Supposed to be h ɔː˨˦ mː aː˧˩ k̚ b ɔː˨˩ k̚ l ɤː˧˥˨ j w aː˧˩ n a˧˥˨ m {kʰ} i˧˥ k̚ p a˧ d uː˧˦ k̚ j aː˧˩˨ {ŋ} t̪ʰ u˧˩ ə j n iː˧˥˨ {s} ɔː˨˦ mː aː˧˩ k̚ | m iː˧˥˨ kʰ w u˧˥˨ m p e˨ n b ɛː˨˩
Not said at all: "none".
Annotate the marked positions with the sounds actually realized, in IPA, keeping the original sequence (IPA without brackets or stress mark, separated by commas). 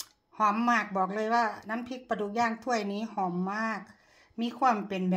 pʰ, ŋ, h